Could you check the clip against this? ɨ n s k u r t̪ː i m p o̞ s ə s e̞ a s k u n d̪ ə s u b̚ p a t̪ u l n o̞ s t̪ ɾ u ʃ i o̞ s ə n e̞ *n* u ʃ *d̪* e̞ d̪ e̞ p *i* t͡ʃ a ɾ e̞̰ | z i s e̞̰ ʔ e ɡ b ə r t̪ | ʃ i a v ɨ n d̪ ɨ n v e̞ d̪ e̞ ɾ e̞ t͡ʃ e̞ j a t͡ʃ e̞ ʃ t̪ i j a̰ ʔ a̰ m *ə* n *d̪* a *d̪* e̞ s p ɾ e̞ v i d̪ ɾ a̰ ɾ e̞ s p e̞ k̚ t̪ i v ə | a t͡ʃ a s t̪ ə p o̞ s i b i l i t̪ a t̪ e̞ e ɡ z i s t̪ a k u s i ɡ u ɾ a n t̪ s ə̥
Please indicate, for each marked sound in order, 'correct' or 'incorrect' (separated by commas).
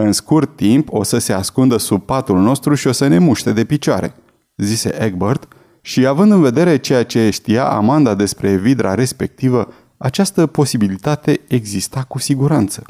incorrect, incorrect, correct, incorrect, correct, correct